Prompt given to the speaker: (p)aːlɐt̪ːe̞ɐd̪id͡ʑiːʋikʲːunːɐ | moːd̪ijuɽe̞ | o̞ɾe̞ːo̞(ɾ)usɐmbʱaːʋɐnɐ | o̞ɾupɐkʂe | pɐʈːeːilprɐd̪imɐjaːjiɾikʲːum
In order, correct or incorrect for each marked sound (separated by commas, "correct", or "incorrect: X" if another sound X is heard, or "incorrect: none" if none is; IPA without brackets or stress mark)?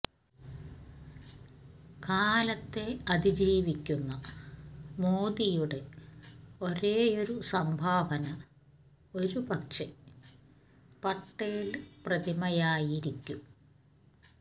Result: incorrect: k, correct